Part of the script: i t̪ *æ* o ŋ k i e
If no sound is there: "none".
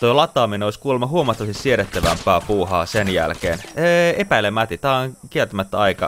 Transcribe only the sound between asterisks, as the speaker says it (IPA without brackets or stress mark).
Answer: æː